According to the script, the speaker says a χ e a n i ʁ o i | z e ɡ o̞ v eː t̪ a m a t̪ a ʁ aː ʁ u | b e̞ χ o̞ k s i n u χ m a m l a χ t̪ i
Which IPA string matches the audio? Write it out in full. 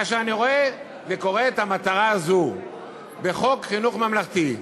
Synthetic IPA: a ʃ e a n i ʁ o e | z e k o̞ ʁ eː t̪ a m a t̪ a ʁ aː z u | b e̞ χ o̞ k χ i n u χ m a m l a χ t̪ i

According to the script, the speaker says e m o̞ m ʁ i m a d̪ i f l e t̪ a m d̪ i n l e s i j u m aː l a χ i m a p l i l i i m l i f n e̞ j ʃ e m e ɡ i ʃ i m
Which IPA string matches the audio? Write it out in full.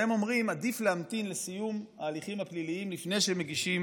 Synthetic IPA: e m o̞ m ʁ i m a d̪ i f l e a m t̪ i n l e s i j u m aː l i χ i m a p l i l i i m l i f n e̞ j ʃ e m e ɡ i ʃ i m

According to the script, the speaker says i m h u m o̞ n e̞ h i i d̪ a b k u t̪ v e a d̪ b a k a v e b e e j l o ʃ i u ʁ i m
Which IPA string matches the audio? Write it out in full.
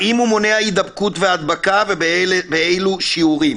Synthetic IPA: i m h u m o̞ n e̞ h a i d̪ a b k u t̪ v e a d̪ b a k a v e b e e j l u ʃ i u ʁ i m

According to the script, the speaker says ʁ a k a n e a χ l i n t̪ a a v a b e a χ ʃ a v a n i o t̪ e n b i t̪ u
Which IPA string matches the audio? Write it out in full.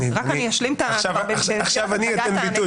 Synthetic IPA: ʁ a k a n i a ʃ l i m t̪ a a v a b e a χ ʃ a v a n i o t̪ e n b i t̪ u

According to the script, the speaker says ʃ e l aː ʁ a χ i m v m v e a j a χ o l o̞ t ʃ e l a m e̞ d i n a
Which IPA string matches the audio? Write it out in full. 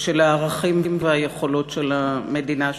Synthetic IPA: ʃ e l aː ʁ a χ i m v m v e a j e χ o l o̞ t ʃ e l a m e̞ d i n a

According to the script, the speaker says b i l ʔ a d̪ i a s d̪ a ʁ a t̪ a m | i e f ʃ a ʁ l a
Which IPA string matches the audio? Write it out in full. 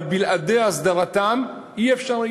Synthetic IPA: b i l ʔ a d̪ e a s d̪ a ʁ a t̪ a m | i e f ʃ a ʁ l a

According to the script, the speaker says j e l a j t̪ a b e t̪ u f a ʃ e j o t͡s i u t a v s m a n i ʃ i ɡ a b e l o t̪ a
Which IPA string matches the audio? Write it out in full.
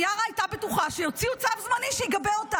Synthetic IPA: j a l a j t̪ a b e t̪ u χ a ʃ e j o t͡s i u t͡s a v z m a n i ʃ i ɡ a b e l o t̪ a

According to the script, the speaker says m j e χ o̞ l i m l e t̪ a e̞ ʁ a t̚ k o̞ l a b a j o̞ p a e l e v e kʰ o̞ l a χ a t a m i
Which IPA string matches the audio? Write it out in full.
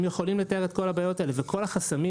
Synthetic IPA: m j e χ o̞ l i m l e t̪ a e̞ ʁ e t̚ k o̞ l a b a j o̞ t a e l e v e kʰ o̞ l a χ a s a m i

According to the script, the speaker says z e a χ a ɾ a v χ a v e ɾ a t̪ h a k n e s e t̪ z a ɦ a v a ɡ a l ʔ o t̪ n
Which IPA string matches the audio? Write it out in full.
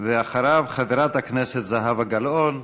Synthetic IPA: v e a χ a ɾ a v χ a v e ɾ a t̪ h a k n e s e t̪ z a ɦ a v a ɡ a l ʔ o n

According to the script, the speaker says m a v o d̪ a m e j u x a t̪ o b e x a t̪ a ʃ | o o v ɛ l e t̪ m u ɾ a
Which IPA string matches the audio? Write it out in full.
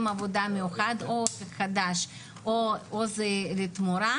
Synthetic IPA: m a v o d̪ a m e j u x a d̪ o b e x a d̪ a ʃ | o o z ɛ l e t̪ m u ɾ a

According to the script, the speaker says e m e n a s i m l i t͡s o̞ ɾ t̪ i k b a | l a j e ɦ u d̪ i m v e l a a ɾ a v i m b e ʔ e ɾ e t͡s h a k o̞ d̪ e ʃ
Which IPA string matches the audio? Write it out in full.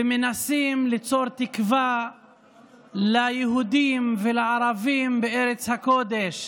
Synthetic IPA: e m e n a s i m l i t͡s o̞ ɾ t̪ i k v a | l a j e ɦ u d̪ i m v e l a a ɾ a v i m b e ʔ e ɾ e t͡s h a k o̞ d̪ e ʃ

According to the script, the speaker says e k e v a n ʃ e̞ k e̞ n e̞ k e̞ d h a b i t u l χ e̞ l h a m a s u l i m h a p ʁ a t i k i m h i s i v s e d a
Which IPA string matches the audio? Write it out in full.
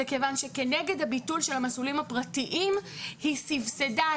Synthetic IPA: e k e v a n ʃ e̞ k e̞ n e̞ ɡ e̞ d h a b i t u l ʃ e̞ l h a m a s u l i m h a p ʁ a t i ʔ i m h i s i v s e d a

